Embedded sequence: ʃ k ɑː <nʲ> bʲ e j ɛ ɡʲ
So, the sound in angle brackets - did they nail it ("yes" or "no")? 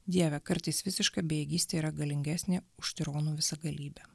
no